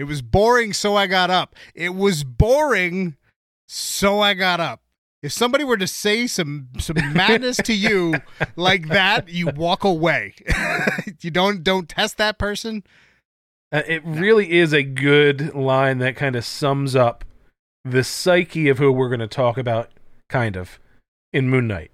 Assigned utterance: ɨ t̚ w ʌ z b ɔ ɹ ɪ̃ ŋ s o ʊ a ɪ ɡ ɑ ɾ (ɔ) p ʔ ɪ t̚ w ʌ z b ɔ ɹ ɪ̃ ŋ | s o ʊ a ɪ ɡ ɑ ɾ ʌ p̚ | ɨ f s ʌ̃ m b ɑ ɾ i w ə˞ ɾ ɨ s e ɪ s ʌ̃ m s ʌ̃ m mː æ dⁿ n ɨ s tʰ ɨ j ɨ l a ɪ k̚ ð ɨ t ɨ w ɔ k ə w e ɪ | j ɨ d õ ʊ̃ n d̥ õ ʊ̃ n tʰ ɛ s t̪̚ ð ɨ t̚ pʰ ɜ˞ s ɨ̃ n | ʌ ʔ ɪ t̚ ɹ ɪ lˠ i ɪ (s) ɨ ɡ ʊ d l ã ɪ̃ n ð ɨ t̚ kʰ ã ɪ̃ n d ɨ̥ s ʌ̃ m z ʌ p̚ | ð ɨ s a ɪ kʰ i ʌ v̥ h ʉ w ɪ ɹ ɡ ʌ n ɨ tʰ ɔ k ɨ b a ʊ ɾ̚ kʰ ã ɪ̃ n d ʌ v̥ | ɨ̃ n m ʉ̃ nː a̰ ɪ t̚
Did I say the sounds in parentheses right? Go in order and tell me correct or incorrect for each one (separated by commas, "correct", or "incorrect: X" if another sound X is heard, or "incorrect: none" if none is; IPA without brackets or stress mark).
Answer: incorrect: ʌ, incorrect: z